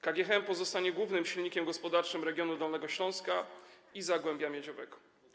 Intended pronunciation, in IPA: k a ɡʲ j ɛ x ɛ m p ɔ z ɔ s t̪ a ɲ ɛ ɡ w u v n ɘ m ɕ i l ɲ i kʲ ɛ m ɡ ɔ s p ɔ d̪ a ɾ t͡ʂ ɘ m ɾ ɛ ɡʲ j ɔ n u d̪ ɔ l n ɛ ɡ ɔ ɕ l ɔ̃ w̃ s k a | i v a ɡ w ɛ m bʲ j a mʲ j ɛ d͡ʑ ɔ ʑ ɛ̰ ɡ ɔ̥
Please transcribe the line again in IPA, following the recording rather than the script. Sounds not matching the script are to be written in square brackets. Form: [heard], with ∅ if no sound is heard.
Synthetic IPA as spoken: k a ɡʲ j ɛ x ɛ m p ɔ z ɔ s t̪ a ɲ ɛ ɡ w u v n ɘ m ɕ i l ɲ i kʲ ɛ m ɡ ɔ s p ɔ d̪ a ɾ t͡ʂ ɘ m ɾ ɛ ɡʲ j ɔ n u d̪ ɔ l n ɛ ɡ ɔ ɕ l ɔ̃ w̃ s k a | i [z] a ɡ w ɛ m bʲ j a mʲ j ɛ d͡ʑ ɔ [v] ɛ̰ ɡ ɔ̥